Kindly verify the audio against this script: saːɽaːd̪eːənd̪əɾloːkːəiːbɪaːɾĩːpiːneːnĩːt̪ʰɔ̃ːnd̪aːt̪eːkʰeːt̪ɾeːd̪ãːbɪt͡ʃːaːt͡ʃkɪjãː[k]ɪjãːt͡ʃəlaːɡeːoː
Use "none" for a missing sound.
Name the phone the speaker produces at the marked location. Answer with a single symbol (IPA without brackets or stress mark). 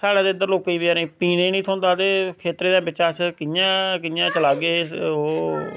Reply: k